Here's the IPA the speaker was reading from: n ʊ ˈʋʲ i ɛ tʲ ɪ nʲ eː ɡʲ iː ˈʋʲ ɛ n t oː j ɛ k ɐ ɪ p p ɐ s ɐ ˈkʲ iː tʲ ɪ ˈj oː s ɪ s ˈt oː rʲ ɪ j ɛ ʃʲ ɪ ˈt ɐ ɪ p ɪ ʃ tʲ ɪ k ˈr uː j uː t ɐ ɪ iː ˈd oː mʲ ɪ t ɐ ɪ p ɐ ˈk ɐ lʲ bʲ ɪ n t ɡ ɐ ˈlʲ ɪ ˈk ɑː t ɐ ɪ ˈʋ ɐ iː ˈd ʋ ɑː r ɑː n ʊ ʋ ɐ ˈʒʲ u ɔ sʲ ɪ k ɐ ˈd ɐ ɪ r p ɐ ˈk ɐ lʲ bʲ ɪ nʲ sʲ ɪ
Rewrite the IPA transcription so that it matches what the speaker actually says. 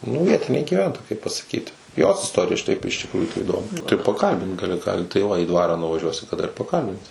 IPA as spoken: n ʊ ˈʋʲ i ɛ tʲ ɪ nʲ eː ɡʲ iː ˈʋʲ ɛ n t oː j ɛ k ɐ ɪ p p ɐ s ɐ ˈkʲ iː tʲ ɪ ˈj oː s ɪ s ˈt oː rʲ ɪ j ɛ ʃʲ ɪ ˈt ɐ ɪ p ɪ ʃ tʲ ɪ k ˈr uː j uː t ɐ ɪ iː ˈd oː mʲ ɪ t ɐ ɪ p ɐ ˈk ɐ lʲ bʲ ɪ n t ɡ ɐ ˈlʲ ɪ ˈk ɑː t ɐ ɪ ˈʋ ɐ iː ˈd ʋ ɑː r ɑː n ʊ ʋ ɐ ˈʒʲ u ɔ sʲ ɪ k ɐ ˈd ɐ ɪ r p ɐ ˈk ɐ lʲ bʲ ɪ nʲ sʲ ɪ